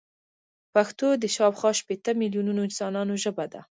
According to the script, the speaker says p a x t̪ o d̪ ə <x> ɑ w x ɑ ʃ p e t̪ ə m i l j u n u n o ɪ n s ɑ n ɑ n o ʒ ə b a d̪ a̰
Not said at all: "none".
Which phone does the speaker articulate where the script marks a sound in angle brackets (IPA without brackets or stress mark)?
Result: ʃ